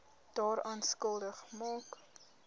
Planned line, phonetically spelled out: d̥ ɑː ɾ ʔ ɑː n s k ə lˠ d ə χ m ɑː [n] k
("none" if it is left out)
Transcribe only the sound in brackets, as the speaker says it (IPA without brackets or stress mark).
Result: none